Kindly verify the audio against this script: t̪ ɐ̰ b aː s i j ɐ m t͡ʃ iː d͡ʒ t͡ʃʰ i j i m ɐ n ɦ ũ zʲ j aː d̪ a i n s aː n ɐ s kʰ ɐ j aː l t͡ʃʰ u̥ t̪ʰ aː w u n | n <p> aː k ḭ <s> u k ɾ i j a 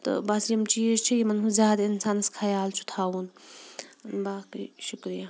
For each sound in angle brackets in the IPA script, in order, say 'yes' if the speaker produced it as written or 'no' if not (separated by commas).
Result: no, no